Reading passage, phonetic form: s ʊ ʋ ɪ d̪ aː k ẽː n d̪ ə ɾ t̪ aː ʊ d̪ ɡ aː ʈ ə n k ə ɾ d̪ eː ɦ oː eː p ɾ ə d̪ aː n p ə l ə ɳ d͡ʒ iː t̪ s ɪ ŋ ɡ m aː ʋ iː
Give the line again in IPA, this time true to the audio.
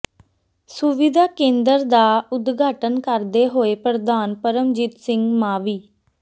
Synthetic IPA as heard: s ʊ ʋ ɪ d̪ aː k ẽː n d̪ ə ɾ d̪ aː ʊ d̪ ɡ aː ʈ ə n k ə ɾ d̪ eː ɦ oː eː p ɾ ə d̪ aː n p ə ɾ ə m d͡ʒ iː t̪ s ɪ ŋ ɡ m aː ʋ iː